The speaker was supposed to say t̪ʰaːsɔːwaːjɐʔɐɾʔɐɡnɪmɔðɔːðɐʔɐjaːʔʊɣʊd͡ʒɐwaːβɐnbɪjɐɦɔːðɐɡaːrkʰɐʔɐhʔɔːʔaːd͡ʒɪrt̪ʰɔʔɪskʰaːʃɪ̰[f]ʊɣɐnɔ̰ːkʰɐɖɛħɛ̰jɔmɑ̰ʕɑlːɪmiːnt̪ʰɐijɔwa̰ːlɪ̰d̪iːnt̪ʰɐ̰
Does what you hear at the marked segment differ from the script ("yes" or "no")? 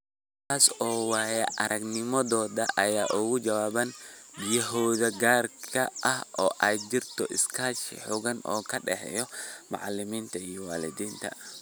yes